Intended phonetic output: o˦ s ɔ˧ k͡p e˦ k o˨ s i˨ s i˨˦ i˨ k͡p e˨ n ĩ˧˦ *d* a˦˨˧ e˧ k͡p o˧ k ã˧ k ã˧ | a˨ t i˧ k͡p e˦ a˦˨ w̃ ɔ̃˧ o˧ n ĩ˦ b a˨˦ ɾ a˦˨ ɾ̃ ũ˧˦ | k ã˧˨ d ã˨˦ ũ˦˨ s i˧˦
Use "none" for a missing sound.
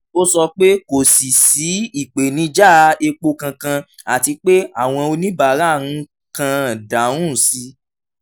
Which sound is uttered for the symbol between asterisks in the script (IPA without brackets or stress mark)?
d͡ʒ